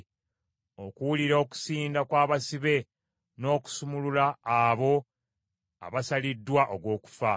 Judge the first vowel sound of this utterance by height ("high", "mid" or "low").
mid